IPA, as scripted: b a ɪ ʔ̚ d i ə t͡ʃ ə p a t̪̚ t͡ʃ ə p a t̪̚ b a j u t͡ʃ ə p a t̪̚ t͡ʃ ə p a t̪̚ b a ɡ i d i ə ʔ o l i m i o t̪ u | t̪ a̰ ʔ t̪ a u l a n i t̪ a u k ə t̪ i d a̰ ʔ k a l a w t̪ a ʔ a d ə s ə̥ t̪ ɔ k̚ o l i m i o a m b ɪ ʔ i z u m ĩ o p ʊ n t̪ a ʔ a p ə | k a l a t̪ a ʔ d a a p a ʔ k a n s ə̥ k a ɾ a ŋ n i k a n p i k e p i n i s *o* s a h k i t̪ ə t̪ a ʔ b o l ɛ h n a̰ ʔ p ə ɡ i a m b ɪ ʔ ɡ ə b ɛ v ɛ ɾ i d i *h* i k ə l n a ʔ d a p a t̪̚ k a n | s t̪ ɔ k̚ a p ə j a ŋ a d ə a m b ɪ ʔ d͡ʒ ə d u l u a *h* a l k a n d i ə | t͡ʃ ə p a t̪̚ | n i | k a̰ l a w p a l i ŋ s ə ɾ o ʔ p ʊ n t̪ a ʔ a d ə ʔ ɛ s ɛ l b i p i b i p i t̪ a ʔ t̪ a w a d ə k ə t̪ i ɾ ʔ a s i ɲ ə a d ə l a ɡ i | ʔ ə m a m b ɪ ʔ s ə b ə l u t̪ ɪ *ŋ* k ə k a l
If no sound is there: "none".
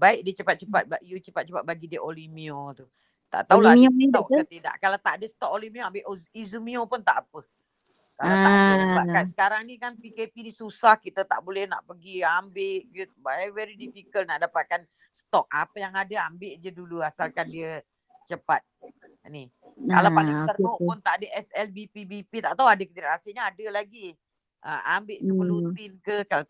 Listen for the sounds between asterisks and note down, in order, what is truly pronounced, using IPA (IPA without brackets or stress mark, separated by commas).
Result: u, f, s, n